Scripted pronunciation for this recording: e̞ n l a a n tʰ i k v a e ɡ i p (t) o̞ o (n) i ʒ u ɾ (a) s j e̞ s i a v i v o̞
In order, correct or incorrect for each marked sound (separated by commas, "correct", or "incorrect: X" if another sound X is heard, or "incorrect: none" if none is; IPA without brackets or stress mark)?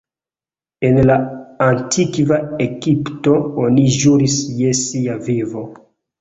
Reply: correct, correct, incorrect: i